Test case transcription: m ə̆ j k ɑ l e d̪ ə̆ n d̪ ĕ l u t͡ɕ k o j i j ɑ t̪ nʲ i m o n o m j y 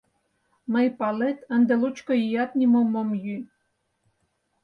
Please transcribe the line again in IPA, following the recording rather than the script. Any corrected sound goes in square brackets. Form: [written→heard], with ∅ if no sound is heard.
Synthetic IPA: m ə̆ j [k→p] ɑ l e [d̪→t̪] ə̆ n d̪ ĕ l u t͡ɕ k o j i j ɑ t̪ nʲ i m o [n→m] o m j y